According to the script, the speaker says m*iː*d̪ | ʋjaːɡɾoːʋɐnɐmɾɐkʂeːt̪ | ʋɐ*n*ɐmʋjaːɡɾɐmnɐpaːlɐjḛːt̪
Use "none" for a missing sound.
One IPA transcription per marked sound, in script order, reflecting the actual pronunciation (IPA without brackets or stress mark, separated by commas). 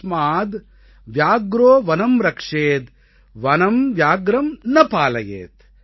aː, n